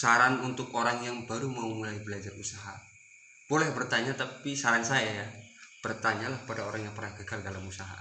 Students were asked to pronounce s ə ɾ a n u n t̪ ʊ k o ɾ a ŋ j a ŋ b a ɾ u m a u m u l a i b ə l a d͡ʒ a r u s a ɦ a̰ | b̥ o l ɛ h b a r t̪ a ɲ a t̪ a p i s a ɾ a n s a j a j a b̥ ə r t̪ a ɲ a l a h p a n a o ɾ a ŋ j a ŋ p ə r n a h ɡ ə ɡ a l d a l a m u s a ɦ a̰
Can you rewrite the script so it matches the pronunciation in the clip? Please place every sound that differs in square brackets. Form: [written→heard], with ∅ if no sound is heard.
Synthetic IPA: s [ə→a] ɾ a n u n t̪ ʊ k o ɾ a ŋ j a ŋ b a ɾ u m a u m u l a i b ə l a d͡ʒ a r u s a ɦ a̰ | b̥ o l ɛ h b [a→ə] r t̪ a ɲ a t̪ a p i s a ɾ a n s a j a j a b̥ ə r t̪ a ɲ a l a h p a [n→d] a o ɾ a ŋ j a ŋ p ə r n a h ɡ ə ɡ a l d a l a m u s a ɦ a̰